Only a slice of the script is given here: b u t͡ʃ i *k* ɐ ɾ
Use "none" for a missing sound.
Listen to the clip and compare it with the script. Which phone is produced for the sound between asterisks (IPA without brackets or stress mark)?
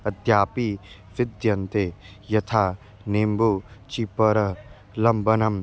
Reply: p